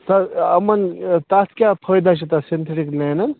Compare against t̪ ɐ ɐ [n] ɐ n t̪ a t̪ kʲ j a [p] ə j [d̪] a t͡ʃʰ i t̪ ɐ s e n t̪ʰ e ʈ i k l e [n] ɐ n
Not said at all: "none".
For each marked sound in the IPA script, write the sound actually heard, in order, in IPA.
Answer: m, pʰ, d̪, n

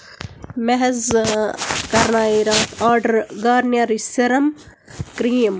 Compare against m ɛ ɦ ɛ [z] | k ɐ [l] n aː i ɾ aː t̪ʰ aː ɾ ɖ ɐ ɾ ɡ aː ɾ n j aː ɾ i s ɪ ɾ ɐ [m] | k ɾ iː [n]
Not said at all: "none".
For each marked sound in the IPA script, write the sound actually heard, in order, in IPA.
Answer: z, ɾ, m, m

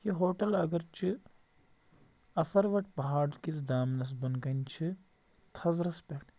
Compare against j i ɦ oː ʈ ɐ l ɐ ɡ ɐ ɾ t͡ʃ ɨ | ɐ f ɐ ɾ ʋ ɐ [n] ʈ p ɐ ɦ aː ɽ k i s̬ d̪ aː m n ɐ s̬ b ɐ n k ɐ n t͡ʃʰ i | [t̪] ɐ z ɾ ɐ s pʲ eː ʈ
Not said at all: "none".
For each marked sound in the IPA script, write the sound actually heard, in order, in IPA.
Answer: none, t̪ʰ

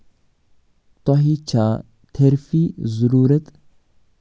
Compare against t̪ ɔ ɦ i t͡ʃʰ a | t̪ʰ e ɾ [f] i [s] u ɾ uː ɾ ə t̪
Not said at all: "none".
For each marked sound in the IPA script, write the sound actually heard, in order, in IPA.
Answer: f, z

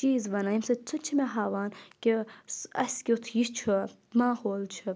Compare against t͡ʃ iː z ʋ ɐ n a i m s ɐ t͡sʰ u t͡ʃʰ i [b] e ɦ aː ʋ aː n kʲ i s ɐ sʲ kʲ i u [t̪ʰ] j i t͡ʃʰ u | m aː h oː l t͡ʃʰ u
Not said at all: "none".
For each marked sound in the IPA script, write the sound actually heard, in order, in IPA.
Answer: m, t̪ʰ

